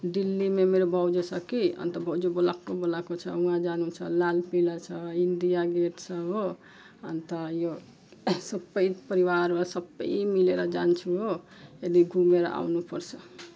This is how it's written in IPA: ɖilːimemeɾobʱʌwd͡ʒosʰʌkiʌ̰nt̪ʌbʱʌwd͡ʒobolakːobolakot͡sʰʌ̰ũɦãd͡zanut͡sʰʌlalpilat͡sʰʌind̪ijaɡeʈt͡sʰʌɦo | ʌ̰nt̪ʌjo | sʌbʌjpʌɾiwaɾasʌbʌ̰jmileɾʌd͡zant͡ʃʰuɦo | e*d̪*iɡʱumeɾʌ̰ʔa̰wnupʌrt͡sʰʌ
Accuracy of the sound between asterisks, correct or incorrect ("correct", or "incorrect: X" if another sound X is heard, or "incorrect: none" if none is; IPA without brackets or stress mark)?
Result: correct